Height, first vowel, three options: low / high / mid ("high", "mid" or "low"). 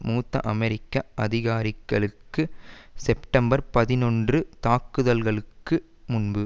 high